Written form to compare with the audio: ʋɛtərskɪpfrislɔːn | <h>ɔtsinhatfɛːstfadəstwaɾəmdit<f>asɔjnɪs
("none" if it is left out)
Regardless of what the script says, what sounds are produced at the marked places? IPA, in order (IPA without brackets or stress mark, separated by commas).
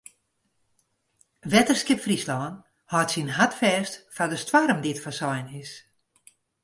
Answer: h, f